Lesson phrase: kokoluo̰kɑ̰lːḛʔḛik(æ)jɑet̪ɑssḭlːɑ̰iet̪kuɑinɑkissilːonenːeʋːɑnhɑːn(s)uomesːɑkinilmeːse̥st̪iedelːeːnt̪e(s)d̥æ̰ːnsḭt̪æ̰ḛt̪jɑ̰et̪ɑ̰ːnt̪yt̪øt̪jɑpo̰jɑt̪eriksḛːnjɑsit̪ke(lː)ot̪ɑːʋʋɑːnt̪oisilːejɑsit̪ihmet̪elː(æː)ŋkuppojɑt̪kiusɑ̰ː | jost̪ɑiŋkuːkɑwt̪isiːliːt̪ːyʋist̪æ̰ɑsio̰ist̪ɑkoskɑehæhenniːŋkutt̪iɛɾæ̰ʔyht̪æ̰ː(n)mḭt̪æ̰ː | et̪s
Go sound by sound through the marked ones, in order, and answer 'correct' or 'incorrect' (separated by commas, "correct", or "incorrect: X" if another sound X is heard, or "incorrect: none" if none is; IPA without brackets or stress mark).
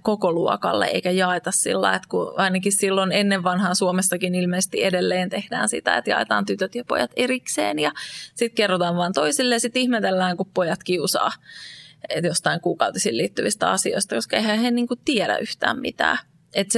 correct, correct, incorrect: h, incorrect: rː, correct, incorrect: m